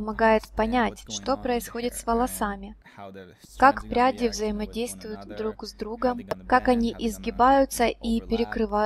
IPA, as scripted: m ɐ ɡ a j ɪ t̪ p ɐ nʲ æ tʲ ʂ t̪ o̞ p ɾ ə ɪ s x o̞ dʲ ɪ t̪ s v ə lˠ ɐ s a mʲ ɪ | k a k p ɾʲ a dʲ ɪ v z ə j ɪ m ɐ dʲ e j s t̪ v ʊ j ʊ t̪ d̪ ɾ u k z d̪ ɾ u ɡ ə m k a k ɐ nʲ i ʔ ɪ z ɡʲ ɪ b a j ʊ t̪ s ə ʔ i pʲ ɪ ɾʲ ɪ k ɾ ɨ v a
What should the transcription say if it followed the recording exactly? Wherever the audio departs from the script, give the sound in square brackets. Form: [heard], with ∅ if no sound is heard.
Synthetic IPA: m ɐ ɡ a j ɪ t̪ p ɐ nʲ æ tʲ ʂ t̪ o̞ p ɾ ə ɪ s x o̞ dʲ ɪ t̪ s v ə lˠ ɐ s a mʲ ɪ | k a k p ɾʲ a dʲ ɪ v z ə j ɪ m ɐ dʲ e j s t̪ v ʊ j ʊ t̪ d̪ ɾ u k z d̪ ɾ u ɡ ə m k a k ɐ nʲ i ʔ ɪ z ɡʲ ɪ b a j ʊ t̪ s ə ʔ i pʲ ɪ ɾʲ ɪ k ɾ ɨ v a